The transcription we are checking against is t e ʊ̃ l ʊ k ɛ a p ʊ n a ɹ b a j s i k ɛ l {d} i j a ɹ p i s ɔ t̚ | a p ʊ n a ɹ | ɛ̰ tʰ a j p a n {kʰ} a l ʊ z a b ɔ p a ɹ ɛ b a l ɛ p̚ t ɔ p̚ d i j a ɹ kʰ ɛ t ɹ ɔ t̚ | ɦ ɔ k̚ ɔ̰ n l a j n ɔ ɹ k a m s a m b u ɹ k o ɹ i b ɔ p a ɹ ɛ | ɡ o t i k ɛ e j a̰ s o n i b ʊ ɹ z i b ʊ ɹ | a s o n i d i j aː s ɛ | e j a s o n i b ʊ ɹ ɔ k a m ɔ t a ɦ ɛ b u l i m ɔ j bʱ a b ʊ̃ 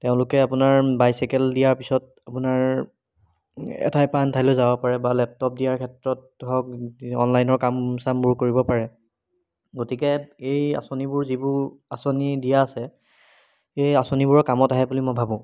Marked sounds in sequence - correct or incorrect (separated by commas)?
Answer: correct, incorrect